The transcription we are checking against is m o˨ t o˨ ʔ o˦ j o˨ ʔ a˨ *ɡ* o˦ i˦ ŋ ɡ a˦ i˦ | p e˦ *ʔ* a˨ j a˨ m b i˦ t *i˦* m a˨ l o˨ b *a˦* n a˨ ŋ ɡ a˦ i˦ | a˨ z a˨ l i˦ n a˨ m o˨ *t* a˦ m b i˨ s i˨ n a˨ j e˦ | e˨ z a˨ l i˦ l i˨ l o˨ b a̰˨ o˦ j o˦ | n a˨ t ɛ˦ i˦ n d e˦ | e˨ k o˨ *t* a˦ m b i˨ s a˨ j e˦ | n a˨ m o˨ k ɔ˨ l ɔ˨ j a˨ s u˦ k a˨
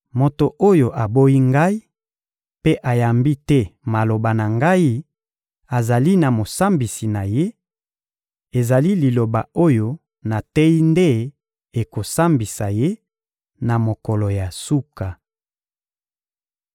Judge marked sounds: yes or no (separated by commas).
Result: no, yes, no, no, no, no